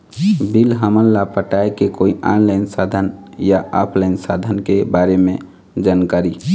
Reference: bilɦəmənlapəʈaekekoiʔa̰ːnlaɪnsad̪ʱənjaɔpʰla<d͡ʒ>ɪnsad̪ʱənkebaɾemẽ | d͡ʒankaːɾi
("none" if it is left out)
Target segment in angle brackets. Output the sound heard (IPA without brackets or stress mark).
none